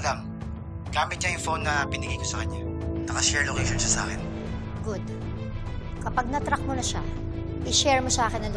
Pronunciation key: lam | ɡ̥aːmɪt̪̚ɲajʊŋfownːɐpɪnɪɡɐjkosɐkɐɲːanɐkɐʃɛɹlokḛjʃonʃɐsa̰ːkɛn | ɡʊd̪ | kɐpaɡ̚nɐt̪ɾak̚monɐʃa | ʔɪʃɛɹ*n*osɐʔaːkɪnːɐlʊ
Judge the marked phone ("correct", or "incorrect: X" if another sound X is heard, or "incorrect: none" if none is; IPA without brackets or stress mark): incorrect: m